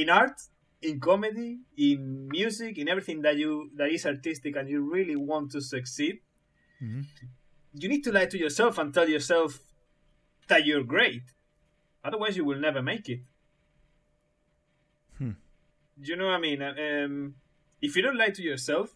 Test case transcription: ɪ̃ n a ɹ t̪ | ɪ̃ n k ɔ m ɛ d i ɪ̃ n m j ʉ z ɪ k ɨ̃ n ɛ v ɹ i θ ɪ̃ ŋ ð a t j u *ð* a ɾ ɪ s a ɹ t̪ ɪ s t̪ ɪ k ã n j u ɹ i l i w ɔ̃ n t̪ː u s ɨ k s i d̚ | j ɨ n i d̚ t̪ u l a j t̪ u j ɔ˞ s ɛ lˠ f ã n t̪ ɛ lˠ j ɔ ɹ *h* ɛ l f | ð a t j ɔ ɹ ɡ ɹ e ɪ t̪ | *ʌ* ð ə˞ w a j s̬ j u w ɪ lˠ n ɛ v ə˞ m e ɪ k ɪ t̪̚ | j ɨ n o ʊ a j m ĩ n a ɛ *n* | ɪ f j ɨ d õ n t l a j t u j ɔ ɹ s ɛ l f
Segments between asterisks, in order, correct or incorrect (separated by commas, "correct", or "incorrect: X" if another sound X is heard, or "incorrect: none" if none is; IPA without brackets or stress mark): correct, incorrect: s, correct, incorrect: m